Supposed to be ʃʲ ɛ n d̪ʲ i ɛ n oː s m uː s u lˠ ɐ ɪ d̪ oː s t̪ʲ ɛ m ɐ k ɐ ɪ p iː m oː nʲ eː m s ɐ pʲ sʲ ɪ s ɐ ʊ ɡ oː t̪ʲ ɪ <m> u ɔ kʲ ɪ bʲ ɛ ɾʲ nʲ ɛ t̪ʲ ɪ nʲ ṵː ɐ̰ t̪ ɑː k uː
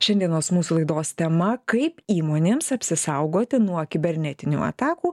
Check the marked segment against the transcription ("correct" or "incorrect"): incorrect